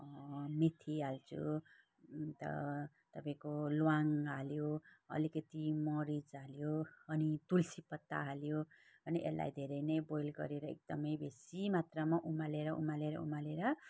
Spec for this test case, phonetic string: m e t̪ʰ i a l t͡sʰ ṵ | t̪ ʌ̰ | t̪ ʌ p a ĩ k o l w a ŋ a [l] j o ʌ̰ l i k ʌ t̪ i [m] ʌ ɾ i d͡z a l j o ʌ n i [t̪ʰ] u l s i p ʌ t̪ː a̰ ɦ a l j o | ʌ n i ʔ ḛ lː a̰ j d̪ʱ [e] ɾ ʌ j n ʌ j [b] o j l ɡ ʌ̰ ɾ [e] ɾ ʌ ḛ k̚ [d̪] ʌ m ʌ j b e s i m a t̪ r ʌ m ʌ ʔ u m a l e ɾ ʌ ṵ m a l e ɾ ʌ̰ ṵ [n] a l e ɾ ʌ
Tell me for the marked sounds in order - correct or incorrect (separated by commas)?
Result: correct, correct, incorrect, correct, correct, correct, correct, incorrect